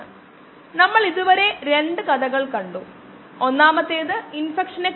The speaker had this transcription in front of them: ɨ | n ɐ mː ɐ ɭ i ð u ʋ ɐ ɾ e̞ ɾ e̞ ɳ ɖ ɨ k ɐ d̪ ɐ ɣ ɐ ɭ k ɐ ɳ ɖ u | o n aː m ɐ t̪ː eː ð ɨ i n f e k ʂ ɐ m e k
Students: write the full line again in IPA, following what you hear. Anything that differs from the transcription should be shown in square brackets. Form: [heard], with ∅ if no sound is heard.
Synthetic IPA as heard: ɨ | n ɐ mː ɐ ɭ i ð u ʋ ɐ ɾ e̞ ɾ e̞ ɳ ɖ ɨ k ɐ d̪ ɐ ɣ ɐ ɭ k ɐ ɳ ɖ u | o [nː] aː m ɐ t̪ː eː ð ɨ i n f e k ʂ ɐ [n] e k